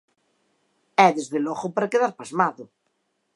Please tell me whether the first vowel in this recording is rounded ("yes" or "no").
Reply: no